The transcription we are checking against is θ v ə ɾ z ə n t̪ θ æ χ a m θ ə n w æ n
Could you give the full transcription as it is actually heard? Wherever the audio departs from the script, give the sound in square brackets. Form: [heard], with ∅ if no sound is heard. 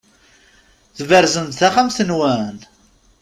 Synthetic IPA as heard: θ v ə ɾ z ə n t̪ θ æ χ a m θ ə n w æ n